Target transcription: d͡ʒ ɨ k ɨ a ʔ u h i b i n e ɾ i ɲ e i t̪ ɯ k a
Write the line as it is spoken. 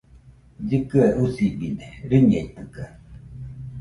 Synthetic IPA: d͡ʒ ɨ k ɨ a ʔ u s i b i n e ɾ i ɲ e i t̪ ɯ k a